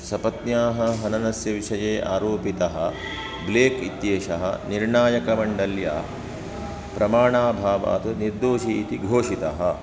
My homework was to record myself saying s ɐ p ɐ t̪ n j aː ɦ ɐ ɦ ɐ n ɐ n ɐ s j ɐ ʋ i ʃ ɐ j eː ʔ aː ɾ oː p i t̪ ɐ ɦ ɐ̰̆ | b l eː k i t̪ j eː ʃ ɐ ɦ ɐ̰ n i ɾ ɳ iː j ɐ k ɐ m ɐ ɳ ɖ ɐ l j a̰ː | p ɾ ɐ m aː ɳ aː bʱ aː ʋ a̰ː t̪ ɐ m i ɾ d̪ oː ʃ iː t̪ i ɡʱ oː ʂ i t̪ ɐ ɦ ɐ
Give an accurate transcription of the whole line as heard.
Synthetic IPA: s ɐ p ɐ t̪ n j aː ɦ ɐ ɦ ɐ n ɐ n ɐ s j ɐ ʋ i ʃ ɐ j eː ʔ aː ɾ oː p i t̪ ɐ ɦ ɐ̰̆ | b l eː k i t̪ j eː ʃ ɐ ɦ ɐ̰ n i ɾ ɳ aː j ɐ k ɐ m ɐ ɳ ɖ ɐ l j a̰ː | p ɾ ɐ m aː ɳ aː bʱ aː ʋ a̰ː t̪ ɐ n i ɾ d̪ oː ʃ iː t̪ i ɡʱ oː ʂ i t̪ ɐ ɦ ɐ